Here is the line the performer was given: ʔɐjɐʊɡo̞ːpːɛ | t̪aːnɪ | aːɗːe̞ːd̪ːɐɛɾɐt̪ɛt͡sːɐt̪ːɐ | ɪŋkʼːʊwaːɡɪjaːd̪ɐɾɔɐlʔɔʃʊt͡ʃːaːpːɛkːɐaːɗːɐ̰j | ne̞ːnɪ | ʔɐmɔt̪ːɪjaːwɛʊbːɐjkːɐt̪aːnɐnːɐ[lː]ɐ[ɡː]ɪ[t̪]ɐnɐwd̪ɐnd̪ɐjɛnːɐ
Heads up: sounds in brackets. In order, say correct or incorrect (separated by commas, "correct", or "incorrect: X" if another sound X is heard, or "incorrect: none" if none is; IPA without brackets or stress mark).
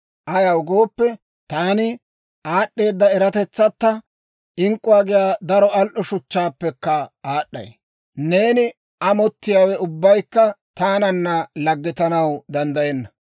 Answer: incorrect: l, correct, correct